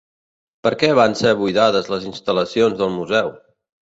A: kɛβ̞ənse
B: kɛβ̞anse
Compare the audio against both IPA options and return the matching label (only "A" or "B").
B